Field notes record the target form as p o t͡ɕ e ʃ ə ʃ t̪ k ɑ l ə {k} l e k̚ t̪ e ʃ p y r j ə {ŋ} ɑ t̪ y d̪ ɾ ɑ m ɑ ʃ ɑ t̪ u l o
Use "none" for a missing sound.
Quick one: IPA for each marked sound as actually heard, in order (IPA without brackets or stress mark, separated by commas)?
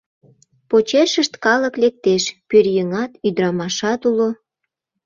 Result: k, ŋ